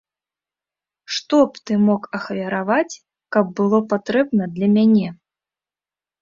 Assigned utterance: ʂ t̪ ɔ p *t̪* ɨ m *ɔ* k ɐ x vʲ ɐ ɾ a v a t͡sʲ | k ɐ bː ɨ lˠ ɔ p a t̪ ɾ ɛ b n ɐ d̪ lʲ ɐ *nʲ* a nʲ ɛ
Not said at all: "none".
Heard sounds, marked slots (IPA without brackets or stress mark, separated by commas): t̪, ɔ, mʲ